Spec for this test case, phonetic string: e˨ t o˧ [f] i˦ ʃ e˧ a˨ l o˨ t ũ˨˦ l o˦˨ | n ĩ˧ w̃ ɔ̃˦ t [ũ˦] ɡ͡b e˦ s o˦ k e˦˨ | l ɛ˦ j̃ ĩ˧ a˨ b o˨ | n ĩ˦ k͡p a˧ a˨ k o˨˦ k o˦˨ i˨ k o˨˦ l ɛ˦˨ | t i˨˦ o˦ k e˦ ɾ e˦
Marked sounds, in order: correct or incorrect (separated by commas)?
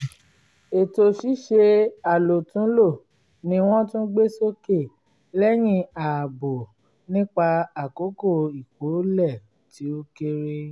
incorrect, correct